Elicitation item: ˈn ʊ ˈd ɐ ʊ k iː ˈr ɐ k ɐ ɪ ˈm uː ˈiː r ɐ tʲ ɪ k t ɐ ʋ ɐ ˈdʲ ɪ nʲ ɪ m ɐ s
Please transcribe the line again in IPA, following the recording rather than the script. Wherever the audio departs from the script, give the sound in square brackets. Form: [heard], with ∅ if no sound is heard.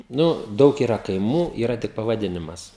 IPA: ˈn ʊ ˈd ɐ ʊ k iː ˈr ɐ k ɐ ɪ ˈm uː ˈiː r ɐ tʲ ɪ k [p] ɐ ʋ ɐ ˈdʲ ɪ nʲ ɪ m ɐ s